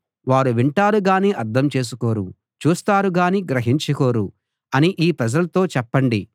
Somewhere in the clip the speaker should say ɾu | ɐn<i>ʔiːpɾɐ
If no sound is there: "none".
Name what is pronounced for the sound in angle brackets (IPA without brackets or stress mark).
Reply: i